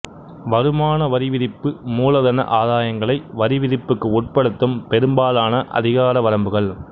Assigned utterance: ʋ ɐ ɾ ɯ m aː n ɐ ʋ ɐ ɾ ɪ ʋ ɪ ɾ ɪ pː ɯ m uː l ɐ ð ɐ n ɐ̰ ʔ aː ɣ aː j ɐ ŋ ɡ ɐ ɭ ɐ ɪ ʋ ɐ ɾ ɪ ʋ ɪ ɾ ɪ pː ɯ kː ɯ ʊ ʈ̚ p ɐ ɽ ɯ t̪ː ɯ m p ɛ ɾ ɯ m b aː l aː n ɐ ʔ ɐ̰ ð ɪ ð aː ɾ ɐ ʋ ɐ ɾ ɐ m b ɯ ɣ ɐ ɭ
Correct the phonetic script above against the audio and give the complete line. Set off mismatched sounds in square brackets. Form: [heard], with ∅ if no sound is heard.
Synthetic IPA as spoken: ʋ ɐ ɾ ɯ m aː n ɐ ʋ ɐ ɾ ɪ ʋ ɪ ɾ ɪ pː ɯ m uː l ɐ ð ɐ n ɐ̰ ʔ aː [ð] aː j ɐ ŋ ɡ ɐ ɭ ɐ ɪ ʋ ɐ ɾ ɪ ʋ ɪ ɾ ɪ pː ɯ kː ɯ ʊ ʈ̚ p ɐ ɽ ɯ t̪ː ɯ m p ɛ ɾ ɯ m b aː l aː n ɐ ʔ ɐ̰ ð ɪ [ɣ] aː ɾ ɐ ʋ ɐ ɾ ɐ m b ɯ ɣ ɐ ɭ